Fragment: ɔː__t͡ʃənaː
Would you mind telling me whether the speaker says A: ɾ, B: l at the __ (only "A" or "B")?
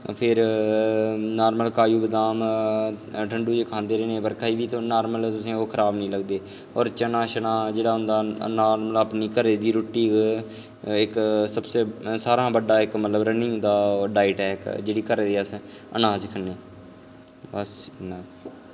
A